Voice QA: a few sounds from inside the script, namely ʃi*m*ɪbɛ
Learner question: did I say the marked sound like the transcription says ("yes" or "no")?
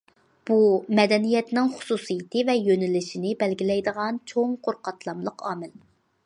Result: no